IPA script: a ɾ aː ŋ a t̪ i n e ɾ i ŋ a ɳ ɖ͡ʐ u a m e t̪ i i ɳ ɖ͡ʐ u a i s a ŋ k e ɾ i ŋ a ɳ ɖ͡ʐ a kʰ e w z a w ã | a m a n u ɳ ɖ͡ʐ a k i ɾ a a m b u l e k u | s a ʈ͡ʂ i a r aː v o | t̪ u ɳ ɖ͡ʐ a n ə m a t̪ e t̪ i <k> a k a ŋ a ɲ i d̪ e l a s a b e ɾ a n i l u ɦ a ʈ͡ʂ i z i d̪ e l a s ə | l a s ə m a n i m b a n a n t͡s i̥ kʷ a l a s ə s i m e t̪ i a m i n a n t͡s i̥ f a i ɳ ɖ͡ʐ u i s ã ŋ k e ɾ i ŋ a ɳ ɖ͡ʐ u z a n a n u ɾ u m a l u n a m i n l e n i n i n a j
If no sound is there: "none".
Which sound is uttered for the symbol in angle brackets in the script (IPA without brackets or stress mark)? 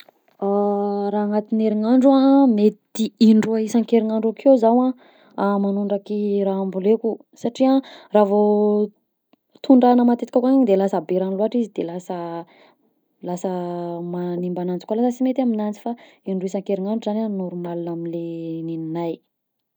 k